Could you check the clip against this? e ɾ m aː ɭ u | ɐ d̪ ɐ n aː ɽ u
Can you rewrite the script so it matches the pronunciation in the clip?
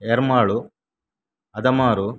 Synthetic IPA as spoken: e ɾ m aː ɭ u | ɐ d̪ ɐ m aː ɾ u